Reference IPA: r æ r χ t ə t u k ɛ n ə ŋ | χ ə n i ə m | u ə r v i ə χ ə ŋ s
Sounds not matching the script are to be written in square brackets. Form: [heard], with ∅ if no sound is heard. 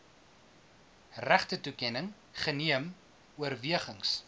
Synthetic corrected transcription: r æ [∅] χ t ə t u k ɛ n ə ŋ | χ ə n i ə m | u ə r v i ə χ ə ŋ s